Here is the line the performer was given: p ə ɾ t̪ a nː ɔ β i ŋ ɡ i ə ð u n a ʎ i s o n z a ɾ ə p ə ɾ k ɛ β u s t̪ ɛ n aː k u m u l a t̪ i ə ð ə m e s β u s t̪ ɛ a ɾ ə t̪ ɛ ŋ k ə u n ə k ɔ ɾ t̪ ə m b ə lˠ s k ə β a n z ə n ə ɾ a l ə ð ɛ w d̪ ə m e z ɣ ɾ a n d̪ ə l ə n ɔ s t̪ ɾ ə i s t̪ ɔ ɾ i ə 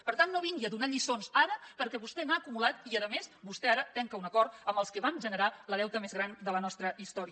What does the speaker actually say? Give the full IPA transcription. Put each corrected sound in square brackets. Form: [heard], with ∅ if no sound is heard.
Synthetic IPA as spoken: p ə ɾ t̪ a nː [o] β i ŋ ɡ i ə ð u n a ʎ i s o n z a ɾ ə p ə ɾ k ɛ β u s t̪ ɛ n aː k u m u l a t̪ i ə ð ə m e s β u s t̪ ɛ a ɾ ə t̪ ɛ ŋ k ə u n ə k ɔ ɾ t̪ ə m b ə lˠ s k ə β a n [ʒ] ə n ə ɾ a l ə ð ɛ w [t̪] ə m e z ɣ ɾ a n d̪ ə l ə n ɔ s t̪ ɾ ə i s t̪ ɔ ɾ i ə